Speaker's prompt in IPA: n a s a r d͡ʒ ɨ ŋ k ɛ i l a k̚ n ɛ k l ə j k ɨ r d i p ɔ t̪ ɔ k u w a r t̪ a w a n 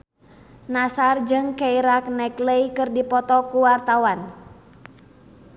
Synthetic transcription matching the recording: n a s a r d͡ʒ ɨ ŋ k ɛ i ɾ a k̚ n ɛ k l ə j k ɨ r d i p ɔ t̪ ɔ k u w a r t̪ a w a n